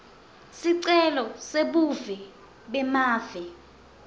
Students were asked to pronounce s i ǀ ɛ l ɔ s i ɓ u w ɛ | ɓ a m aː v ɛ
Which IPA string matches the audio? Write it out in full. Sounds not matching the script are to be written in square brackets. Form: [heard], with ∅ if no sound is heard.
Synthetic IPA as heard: s i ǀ ɛ l ɔ s [e] ɓ u [v] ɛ | ɓ [ɛ] m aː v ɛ